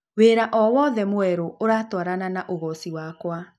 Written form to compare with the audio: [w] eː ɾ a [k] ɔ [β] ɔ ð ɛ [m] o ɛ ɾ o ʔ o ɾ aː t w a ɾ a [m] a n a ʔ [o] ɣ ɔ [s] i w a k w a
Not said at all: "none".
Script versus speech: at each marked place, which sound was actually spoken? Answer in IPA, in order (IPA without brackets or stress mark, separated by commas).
w, ʔ, w, m, n, o, s